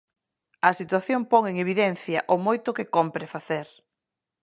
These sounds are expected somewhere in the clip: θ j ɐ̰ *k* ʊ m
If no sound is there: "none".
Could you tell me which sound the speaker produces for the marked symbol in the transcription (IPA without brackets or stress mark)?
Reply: ʔ